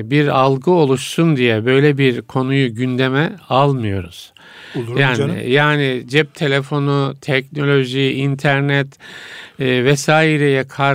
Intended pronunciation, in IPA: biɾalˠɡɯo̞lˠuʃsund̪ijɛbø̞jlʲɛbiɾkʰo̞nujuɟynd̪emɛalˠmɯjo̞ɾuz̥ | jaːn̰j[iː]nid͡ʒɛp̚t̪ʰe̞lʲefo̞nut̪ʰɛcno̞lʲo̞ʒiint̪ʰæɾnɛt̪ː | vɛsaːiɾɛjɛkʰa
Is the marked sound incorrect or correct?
incorrect